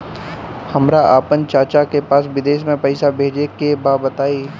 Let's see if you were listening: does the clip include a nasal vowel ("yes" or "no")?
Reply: yes